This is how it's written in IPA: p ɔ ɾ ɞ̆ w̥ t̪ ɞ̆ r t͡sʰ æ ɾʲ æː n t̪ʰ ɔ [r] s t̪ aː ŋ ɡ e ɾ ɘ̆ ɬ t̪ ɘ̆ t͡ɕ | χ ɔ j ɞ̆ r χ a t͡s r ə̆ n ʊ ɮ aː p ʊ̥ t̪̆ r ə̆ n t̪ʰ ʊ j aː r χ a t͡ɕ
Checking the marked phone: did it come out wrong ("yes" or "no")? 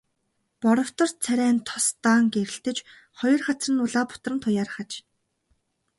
yes